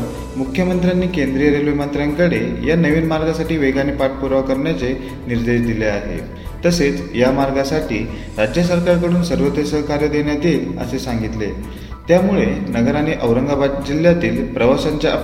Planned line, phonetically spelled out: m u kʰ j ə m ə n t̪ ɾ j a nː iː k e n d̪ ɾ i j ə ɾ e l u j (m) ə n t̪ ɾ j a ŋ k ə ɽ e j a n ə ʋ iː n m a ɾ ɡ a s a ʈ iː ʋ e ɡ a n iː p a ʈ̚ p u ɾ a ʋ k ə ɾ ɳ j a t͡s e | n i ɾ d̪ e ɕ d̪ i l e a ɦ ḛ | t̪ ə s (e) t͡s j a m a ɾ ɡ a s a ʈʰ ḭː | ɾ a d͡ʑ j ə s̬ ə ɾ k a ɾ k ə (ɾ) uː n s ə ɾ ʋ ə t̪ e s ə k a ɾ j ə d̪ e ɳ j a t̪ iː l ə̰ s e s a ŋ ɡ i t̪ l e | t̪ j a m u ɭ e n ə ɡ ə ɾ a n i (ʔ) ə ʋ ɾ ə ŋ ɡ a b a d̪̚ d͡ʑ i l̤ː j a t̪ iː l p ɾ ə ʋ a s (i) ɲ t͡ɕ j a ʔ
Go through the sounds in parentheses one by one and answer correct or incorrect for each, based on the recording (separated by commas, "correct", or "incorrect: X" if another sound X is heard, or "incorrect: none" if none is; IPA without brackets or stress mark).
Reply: correct, correct, incorrect: ɽ, correct, incorrect: a